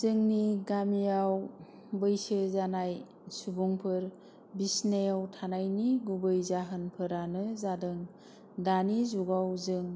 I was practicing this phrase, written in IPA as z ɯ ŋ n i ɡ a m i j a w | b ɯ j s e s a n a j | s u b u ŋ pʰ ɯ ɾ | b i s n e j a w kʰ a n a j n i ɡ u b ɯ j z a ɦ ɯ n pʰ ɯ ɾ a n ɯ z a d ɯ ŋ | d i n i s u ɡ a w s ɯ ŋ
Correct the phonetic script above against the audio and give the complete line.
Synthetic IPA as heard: z ɯ ŋ n i ɡ a m i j a w | b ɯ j s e z a n a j | s u b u ŋ pʰ ɯ ɾ | b i s n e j a w tʰ a n a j n i ɡ u b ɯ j z a ɦ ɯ n pʰ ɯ ɾ a n ɯ z a d ɯ ŋ | d a n i z u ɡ a w z ɯ ŋ